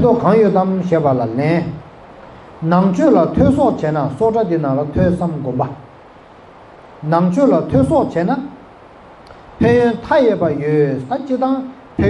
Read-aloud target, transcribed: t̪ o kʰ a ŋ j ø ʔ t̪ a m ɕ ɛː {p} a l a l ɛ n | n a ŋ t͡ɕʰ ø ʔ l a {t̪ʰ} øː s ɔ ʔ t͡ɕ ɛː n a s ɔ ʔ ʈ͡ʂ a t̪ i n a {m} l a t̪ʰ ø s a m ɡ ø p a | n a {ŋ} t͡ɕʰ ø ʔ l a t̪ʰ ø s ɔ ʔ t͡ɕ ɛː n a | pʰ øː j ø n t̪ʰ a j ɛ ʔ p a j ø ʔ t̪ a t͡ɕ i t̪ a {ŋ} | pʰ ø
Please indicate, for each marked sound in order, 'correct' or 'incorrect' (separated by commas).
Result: correct, correct, incorrect, correct, correct